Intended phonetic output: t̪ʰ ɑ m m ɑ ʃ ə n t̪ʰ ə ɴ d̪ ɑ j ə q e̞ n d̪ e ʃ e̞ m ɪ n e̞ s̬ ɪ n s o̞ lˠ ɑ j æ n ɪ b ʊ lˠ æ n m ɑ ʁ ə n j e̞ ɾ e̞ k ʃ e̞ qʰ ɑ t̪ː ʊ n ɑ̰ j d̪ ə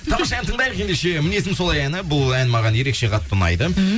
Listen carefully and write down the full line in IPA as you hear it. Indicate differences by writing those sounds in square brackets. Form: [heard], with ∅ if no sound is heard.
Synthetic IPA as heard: t̪ʰ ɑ m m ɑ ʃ [ɑ] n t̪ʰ ə ɴ d̪ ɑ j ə q e̞ n d̪ e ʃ e̞ m ɪ n e̞ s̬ ɪ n s o̞ lˠ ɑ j æ n ɪ b ʊ lˠ æ n m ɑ ʁ [ɑ] n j e̞ ɾ e̞ k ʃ e̞ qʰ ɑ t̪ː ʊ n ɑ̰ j d̪ ə